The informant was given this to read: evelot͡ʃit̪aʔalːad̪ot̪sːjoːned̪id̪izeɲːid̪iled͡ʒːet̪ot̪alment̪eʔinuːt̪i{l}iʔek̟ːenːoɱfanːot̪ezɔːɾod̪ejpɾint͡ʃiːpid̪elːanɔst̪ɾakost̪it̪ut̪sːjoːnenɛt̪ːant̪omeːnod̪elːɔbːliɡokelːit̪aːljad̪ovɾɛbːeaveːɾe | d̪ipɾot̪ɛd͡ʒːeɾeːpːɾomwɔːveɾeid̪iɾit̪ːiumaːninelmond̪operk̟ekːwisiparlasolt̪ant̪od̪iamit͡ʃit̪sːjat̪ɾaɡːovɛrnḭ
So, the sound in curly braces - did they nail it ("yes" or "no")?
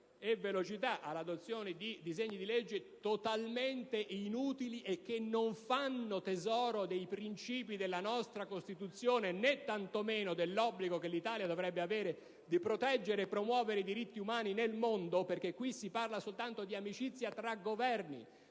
yes